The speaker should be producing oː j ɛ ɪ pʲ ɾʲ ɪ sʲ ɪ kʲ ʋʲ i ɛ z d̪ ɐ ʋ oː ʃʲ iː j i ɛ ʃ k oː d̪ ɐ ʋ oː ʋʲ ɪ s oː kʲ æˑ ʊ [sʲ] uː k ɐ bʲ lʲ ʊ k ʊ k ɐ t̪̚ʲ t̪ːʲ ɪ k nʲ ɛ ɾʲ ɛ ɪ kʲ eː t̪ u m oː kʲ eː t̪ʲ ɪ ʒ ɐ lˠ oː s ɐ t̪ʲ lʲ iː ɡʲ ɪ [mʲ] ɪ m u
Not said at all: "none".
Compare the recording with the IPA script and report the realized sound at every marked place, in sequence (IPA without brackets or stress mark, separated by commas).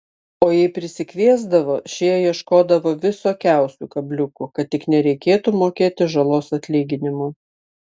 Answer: sʲ, nʲ